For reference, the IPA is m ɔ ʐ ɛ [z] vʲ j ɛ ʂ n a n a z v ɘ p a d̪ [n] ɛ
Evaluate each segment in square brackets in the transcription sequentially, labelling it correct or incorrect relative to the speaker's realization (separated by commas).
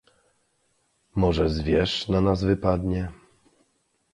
correct, incorrect